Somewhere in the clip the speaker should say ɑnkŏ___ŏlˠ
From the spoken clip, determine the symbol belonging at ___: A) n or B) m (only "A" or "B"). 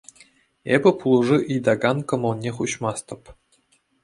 B